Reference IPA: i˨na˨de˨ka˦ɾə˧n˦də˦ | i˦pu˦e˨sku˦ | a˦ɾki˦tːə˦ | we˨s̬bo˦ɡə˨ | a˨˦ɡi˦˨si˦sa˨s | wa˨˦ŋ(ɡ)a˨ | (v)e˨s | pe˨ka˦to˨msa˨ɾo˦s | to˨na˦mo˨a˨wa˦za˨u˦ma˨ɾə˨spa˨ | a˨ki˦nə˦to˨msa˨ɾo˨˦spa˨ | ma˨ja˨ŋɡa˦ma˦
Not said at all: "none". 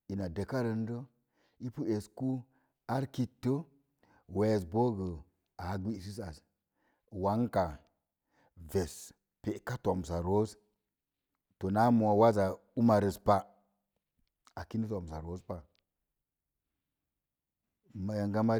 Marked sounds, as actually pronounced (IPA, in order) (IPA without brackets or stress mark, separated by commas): k, v